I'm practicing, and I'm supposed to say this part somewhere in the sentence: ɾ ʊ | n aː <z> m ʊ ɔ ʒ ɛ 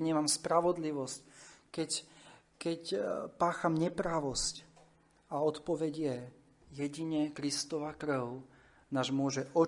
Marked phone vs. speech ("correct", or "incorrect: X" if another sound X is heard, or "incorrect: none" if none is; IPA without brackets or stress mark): incorrect: ʒ